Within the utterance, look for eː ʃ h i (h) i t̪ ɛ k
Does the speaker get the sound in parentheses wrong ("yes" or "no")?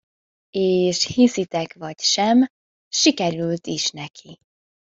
yes